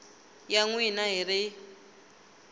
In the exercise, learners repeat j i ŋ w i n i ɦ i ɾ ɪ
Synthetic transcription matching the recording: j a ŋ w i n a ɦ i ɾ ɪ